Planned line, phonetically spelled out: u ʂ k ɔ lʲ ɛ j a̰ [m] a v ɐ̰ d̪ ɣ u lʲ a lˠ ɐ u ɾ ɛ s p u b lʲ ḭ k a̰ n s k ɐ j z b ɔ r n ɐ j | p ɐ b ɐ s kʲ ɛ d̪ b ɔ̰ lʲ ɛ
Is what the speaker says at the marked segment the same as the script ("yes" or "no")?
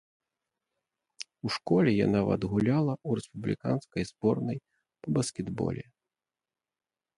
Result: no